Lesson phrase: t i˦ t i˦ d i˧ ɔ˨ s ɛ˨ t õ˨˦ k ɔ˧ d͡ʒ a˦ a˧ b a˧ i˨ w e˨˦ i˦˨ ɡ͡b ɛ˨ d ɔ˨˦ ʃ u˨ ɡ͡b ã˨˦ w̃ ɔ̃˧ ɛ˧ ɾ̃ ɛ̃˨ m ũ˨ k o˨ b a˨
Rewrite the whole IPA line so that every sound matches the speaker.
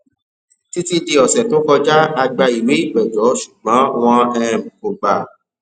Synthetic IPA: t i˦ t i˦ d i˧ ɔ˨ s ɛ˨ t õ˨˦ k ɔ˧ d͡ʒ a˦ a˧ ɡ͡b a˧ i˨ w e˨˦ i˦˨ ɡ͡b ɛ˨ d͡ʒ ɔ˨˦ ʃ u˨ ɡ͡b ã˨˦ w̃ ɔ̃˧ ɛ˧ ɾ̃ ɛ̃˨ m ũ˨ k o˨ ɡ͡b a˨

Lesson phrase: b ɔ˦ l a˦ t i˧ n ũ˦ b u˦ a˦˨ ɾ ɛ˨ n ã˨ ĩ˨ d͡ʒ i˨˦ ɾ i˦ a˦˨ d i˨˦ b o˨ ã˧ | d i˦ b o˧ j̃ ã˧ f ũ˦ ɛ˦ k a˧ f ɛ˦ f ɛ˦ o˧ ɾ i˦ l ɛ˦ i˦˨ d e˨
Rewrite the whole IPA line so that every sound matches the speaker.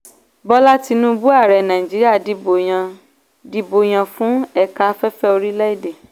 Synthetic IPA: b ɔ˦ l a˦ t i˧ n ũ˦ b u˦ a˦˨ ɾ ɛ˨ n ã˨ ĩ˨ d͡ʒ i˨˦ ɾ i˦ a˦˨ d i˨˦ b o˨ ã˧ | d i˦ b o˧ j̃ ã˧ f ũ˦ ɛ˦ k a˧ f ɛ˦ f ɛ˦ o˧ ɾ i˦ l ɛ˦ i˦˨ d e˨

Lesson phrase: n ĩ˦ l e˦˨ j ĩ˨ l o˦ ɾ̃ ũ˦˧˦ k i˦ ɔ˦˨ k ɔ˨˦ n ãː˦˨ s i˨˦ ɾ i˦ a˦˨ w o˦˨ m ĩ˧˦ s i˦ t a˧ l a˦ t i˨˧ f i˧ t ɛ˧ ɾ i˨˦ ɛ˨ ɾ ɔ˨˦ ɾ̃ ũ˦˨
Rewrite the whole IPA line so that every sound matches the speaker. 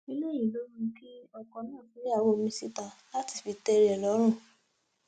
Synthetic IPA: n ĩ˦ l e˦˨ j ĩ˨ l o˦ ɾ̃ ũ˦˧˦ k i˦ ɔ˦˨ k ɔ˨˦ n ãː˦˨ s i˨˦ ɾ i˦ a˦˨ w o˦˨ m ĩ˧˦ s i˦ t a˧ l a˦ t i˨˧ f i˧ t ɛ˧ ɾ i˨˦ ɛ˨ l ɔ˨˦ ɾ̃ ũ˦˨

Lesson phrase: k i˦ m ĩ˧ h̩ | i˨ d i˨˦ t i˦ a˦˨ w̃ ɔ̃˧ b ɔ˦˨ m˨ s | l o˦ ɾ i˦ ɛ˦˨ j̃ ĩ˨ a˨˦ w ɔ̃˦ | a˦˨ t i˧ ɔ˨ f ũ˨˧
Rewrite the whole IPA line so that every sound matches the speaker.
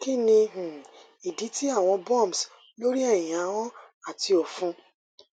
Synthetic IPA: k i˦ n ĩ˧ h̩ | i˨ d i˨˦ t i˦ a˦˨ w̃ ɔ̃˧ b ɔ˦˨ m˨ s | l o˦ ɾ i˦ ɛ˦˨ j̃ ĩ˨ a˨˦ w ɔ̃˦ | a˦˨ t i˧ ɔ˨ f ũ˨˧

